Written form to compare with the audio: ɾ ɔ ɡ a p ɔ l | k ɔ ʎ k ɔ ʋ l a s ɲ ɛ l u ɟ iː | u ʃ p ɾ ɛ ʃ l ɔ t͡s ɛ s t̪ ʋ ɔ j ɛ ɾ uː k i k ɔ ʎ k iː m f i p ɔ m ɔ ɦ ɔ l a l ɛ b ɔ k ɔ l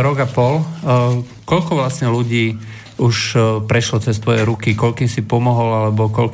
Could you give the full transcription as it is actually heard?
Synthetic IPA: ɾ ɔ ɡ a p ɔ l | k ɔ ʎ k ɔ ʋ l a s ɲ ɛ l u ɟ iː | u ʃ p ɾ ɛ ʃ l ɔ t͡s ɛ s t̪ ʋ ɔ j ɛ ɾ u k i k ɔ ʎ k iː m s i p ɔ m ɔ ɦ ɔ l a l ɛ b ɔ k ɔ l